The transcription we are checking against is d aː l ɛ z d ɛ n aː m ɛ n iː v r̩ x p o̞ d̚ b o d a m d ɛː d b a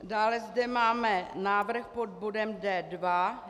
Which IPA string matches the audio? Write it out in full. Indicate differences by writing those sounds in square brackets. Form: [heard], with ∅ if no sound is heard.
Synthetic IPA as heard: d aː l ɛ z d ɛ [m] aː m ɛ n [aː] v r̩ x p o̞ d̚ b o d [ɛ] m d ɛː d [v] a